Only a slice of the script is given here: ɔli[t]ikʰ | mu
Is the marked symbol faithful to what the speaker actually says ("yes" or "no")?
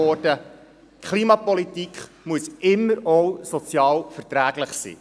yes